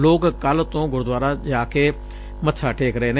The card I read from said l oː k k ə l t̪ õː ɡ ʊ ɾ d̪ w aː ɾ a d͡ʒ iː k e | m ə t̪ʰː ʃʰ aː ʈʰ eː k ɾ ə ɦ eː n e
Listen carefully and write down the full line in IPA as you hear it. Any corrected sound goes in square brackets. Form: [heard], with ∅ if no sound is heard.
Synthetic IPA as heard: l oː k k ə l t̪ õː ɡ ʊ ɾ d̪ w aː ɾ a d͡ʒ [aː] k e | m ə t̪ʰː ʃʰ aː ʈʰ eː k ɾ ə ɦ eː n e